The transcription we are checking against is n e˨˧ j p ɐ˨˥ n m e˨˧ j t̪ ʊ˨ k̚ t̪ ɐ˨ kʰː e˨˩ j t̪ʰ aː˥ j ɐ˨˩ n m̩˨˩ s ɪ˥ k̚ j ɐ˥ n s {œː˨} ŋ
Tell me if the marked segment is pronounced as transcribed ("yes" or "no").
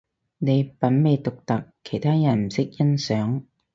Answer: no